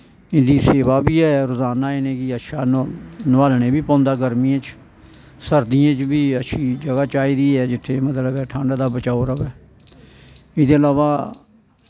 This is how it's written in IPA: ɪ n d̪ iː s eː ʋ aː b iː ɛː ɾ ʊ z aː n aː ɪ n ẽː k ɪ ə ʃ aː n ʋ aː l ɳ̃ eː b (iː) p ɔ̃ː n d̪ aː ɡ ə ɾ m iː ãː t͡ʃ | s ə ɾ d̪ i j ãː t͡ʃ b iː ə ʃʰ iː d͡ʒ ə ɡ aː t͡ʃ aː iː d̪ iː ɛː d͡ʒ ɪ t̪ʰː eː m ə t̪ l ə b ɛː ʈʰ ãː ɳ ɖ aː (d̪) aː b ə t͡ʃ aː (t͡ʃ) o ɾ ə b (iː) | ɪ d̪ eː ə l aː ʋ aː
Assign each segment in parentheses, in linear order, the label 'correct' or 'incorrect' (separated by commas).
correct, correct, incorrect, incorrect